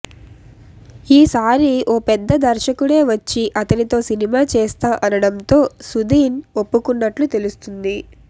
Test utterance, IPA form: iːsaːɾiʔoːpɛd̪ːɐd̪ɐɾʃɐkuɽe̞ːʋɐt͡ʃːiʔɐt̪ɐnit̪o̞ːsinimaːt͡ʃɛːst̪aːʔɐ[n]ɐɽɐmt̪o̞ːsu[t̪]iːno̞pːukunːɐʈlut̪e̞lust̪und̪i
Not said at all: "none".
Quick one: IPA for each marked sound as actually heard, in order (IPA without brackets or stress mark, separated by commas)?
n, d̪